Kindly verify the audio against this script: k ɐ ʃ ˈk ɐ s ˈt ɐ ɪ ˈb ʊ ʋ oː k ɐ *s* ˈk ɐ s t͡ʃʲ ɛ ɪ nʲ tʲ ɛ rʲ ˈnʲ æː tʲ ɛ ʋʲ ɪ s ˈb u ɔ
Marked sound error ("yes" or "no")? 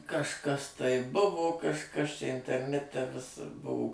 yes